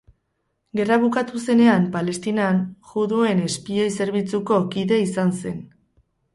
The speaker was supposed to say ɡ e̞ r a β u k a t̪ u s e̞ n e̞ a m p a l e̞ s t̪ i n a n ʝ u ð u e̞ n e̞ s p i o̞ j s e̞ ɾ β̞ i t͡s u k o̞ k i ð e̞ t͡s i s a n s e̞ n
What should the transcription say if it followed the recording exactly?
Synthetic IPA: ɡ e̞ r a β u k a t̪ u s e̞ n e̞ a m p a l e̞ s t̪ i n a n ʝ u ð u e̞ n e̞ s p i o̞ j s e̞ ɾ β̞ i t͡s u k o̞ k i ð e̞ i s a n s e̞ n